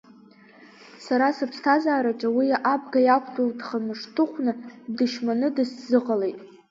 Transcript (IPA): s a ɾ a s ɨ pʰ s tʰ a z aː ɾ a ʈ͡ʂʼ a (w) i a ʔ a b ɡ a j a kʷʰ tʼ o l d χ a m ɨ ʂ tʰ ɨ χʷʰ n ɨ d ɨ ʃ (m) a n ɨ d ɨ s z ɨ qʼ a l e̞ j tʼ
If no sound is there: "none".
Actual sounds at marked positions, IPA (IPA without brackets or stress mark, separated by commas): w, m